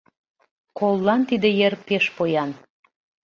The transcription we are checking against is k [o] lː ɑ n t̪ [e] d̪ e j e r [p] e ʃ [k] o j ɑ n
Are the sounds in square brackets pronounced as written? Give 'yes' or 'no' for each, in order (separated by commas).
yes, no, yes, no